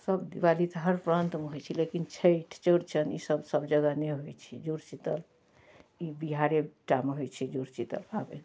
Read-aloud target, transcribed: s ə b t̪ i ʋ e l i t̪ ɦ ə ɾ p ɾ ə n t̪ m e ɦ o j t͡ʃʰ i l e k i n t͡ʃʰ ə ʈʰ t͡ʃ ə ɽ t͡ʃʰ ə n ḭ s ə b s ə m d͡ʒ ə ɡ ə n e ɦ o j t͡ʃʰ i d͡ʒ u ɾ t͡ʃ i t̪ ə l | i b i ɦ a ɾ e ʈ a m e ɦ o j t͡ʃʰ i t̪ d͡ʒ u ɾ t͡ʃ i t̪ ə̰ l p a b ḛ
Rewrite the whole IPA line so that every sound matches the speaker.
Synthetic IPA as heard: s ə b d̪ i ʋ a l i t̪ ɦ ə ɾ p ɾ ə n t̪ m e ɦ o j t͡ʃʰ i l e k i n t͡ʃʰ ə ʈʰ t͡ʃ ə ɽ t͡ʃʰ ə n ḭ s ə b s ə b d͡ʒ ə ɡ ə n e ɦ o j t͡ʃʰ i d͡ʒ u ɾ t͡ʃ i t̪ ə l | i b i ɦ a ɾ e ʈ a m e ɦ o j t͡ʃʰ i d͡ʒ u ɾ t͡ʃ i t̪ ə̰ l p a b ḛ